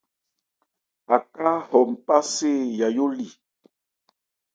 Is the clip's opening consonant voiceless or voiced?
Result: voiceless